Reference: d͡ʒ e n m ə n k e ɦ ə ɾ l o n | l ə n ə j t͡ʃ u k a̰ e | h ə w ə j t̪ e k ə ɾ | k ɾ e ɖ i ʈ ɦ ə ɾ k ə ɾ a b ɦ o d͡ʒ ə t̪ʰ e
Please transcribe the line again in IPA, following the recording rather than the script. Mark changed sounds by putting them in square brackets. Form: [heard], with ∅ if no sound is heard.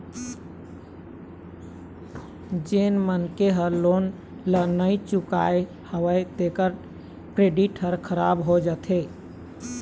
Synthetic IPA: d͡ʒ e n m ə n k e ɦ ə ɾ l o n | l ə n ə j t͡ʃ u k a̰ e | h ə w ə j t̪ e k ə ɾ | k ɾ e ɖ i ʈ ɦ ə ɾ [kʰ] ə ɾ a b ɦ o d͡ʒ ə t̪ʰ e